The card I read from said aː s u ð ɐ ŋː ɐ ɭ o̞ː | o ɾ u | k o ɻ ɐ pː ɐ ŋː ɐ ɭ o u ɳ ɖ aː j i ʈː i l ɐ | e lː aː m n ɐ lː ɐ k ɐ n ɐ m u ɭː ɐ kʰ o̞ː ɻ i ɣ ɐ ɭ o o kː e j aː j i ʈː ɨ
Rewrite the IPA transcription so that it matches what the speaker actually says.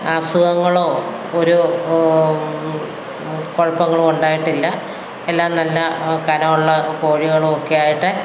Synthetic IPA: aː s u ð ɐ ŋː ɐ ɭ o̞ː | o ɾ u | k o ɻ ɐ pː ɐ ŋː ɐ ɭ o u ɳ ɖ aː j i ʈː i lː ɐ | e lː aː m n ɐ lː ɐ k ɐ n ɐ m u ɭː ɐ k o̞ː ɻ i ɣ ɐ ɭ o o kː e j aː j i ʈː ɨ